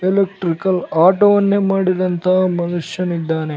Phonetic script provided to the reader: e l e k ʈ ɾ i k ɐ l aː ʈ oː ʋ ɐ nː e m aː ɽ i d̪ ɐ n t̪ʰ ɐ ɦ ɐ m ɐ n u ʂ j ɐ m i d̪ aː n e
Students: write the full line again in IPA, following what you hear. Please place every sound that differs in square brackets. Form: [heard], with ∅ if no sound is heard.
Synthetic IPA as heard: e l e k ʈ ɾ i k ɐ l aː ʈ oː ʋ ɐ nː e m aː ɽ i d̪ ɐ n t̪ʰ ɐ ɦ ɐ m ɐ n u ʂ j ɐ [n] i [d̪ː] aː n e